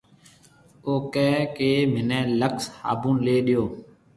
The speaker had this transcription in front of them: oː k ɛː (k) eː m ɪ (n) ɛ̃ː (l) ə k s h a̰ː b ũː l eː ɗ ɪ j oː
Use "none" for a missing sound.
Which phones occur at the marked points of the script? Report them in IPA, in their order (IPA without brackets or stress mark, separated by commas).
k, n, l